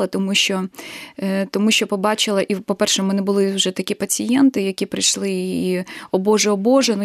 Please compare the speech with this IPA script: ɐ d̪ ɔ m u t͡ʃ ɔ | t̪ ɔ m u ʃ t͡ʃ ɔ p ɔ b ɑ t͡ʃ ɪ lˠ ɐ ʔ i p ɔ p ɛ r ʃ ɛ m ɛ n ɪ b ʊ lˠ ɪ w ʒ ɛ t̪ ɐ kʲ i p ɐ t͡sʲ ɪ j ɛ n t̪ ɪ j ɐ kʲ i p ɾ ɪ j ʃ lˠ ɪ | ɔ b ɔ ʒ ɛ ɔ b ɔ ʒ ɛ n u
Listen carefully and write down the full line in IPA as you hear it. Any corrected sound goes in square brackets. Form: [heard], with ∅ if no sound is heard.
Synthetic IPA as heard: ɐ [t̪] ɔ m u t͡ʃ ɔ | t̪ ɔ m u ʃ t͡ʃ ɔ p ɔ b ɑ t͡ʃ ɪ lˠ ɐ ʔ i p ɔ p ɛ r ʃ ɛ m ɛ n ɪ b ʊ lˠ ɪ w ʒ ɛ t̪ ɐ kʲ i p ɐ t͡sʲ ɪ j ɛ n t̪ ɪ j ɐ kʲ i p ɾ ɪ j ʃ lˠ ɪ | ɔ b ɔ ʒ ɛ ɔ b ɔ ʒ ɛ n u